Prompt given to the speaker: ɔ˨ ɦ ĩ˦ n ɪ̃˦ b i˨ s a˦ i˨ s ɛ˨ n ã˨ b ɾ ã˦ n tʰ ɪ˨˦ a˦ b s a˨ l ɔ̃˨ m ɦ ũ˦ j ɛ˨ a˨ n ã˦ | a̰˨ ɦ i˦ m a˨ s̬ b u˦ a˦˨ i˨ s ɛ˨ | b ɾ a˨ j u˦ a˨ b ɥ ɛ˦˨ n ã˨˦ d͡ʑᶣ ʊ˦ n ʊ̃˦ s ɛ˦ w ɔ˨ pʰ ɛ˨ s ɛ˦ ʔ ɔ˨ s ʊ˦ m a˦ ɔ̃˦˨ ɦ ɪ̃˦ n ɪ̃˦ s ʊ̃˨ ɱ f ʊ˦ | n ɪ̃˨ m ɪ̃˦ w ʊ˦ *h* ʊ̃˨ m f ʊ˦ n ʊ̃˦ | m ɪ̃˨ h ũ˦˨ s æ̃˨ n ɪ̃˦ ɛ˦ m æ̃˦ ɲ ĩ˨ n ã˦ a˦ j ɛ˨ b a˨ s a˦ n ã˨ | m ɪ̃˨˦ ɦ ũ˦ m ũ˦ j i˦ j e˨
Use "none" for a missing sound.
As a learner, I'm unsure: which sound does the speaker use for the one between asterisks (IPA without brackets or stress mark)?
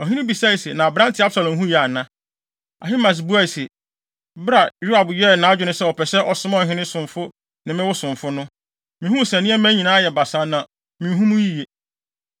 s